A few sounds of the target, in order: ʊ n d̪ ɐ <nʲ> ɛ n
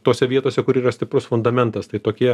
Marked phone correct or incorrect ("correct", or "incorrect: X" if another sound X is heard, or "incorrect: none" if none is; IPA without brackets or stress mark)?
incorrect: mʲ